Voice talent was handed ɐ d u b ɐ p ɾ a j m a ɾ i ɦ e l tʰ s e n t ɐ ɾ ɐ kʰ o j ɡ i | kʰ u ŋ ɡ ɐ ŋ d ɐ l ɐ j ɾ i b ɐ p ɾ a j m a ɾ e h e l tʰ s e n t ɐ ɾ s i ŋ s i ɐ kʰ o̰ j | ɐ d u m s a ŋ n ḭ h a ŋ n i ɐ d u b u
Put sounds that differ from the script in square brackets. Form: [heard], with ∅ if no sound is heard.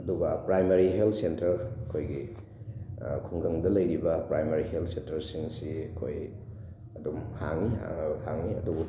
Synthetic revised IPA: ɐ d u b ɐ p ɾ a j m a ɾ i ɦ e l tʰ s e n t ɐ ɾ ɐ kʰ o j ɡ i | kʰ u ŋ ɡ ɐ ŋ d ɐ l ɐ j ɾ i b ɐ p ɾ a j m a ɾ [i] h e l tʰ s e n t ɐ ɾ s i ŋ s i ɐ kʰ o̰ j | ɐ d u m [h] a ŋ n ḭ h a ŋ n i ɐ d u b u